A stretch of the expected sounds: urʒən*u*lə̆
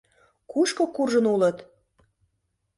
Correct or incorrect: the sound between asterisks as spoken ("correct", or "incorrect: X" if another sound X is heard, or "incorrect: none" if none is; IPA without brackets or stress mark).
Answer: correct